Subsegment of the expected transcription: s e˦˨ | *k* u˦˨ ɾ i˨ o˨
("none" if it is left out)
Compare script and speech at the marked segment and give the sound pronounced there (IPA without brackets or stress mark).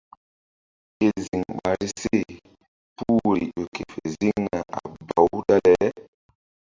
p